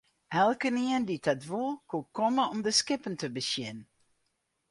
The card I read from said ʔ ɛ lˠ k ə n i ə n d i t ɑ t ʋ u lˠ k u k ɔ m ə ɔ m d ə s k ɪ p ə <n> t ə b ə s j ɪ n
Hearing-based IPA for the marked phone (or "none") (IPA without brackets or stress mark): n